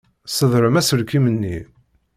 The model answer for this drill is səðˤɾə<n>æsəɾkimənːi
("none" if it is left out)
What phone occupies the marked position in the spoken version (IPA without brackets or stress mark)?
m